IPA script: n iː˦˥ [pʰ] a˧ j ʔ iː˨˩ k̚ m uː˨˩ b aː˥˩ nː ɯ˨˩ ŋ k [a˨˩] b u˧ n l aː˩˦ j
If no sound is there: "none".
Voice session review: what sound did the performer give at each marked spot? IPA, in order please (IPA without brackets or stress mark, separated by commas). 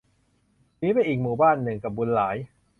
p, a˨˩